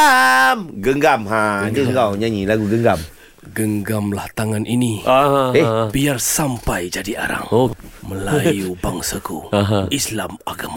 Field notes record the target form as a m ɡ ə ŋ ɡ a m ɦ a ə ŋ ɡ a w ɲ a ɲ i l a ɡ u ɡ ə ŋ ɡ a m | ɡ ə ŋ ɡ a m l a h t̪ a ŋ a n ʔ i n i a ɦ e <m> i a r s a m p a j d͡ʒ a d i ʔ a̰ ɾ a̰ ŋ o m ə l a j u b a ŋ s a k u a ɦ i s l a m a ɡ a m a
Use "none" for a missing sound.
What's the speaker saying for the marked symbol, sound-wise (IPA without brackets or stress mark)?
b